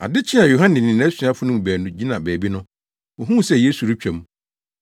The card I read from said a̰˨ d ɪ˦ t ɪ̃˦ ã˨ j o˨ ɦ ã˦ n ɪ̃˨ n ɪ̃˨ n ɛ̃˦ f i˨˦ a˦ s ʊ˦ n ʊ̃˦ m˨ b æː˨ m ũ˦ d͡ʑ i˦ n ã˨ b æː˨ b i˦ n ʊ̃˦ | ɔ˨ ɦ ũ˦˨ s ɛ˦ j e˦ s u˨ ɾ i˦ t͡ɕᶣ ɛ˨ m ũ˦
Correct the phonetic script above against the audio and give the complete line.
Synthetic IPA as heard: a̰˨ d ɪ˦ t͡ɕʰ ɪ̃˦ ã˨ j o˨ ɦ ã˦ n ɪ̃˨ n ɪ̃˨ n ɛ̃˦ s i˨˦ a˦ f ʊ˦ n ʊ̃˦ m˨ b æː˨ n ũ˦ d͡ʑ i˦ n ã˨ b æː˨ b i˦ n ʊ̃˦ | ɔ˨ ɦ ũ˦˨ s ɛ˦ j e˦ s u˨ ɾ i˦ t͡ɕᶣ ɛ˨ m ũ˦